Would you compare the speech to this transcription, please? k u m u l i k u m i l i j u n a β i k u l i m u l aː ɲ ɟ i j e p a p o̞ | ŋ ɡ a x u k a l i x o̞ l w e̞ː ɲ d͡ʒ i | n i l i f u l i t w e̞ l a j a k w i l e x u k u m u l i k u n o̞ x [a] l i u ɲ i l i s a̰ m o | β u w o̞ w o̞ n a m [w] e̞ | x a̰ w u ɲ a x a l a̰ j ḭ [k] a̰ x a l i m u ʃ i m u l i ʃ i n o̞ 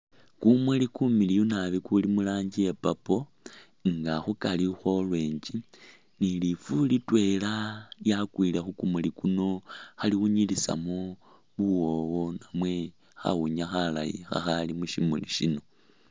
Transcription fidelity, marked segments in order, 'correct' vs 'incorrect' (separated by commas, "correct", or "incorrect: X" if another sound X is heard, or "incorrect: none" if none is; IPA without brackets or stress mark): correct, correct, incorrect: x